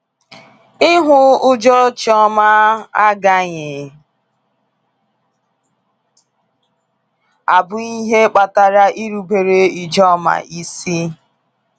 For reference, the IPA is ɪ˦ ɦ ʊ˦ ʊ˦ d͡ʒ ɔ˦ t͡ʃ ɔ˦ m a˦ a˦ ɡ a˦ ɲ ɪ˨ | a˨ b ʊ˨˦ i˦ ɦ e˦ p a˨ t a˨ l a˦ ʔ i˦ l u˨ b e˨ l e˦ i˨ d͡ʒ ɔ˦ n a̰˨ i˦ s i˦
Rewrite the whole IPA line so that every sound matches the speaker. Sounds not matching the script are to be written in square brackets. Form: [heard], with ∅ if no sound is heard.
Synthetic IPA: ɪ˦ ɦ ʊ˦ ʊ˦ d͡ʒ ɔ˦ t͡ʃ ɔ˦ m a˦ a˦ ɡ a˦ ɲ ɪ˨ | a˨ b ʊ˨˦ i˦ ɦ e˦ [k͡p] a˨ t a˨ [ɾ] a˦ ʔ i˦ [ɾ] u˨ b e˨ [ɾ] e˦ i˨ d͡ʒ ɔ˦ [m] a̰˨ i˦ s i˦